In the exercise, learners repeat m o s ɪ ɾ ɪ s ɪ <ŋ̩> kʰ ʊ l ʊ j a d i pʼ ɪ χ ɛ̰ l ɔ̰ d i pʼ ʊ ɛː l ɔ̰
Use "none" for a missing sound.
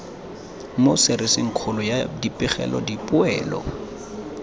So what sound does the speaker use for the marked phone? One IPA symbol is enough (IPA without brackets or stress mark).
ŋ̩